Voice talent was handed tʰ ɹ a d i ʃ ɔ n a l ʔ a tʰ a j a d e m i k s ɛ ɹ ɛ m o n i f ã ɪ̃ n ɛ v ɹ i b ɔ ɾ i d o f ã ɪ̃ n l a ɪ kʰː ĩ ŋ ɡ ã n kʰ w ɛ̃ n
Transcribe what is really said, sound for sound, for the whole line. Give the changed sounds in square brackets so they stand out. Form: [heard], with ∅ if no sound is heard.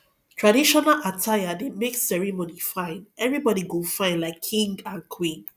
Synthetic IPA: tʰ ɹ a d i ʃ ɔ n a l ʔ a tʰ a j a d e m [e] k s ɛ ɹ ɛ m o n i f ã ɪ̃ n ɛ v ɹ i b ɔ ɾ i [ɡ] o f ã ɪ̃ n l a ɪ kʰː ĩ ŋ ɡ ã n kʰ w [ĩ] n